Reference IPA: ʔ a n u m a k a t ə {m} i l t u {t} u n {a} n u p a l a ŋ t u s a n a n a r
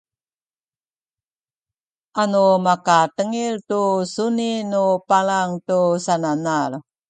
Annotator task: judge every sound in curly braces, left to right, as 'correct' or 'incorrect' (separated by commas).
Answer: incorrect, incorrect, incorrect